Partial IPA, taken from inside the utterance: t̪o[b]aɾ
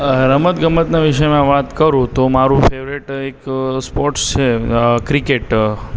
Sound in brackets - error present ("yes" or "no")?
yes